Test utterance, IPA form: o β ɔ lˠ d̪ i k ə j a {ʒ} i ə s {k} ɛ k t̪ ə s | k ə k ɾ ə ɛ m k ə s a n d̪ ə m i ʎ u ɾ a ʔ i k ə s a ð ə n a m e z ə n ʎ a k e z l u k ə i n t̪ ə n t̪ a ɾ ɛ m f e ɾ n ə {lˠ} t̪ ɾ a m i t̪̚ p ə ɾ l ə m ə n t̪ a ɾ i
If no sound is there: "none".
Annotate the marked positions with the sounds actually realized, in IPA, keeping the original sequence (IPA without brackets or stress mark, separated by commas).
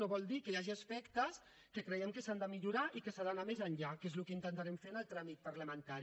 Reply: ʒ, p, lˠ